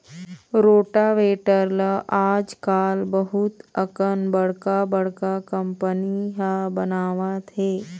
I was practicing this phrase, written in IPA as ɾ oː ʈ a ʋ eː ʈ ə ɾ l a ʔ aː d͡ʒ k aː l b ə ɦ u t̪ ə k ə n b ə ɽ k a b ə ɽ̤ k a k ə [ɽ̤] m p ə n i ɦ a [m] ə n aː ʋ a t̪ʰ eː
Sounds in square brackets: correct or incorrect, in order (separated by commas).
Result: incorrect, incorrect